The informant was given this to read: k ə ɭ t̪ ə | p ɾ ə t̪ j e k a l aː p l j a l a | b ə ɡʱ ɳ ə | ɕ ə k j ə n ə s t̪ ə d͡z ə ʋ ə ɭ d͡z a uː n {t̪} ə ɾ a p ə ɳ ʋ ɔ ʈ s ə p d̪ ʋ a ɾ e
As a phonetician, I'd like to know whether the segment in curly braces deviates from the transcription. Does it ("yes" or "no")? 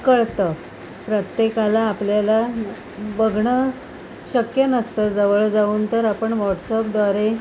no